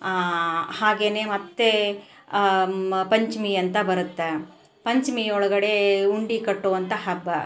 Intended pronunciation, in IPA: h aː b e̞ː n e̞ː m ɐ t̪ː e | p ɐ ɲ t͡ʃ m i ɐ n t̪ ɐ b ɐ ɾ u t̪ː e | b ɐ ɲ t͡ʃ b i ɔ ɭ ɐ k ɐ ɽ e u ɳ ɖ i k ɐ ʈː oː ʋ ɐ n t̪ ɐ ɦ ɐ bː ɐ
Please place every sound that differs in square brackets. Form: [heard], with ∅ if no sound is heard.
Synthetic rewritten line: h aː [ɡ] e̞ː n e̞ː m ɐ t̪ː e | p ɐ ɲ t͡ʃ m i ɐ n t̪ ɐ b ɐ ɾ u t̪ː e | [p] ɐ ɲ t͡ʃ [m] i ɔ ɭ ɐ [ɡ] ɐ ɽ e u ɳ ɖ i k ɐ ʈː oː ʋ ɐ n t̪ ɐ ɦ ɐ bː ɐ